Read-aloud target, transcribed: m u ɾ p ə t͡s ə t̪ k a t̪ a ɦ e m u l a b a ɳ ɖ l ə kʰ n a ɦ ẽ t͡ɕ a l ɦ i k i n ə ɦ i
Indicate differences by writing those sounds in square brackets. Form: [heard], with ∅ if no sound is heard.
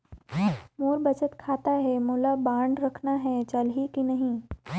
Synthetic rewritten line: m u ɾ [b] ə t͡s ə t̪ [kʰ] a t̪ a ɦ e m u l a b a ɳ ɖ [ɾ] ə kʰ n a ɦ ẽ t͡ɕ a l ɦ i k i n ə ɦ i